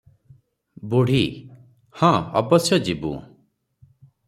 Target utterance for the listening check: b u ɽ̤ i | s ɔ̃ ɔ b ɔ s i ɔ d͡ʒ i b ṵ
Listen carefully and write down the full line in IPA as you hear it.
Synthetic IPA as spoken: b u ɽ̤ i | h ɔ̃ ɔ b ɔ s j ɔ d͡ʒ i b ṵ